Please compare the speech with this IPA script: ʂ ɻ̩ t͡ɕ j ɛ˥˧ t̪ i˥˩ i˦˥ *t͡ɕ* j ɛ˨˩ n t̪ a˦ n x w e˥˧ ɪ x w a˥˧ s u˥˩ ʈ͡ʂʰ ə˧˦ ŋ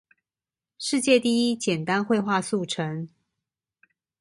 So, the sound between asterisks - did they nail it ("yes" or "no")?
yes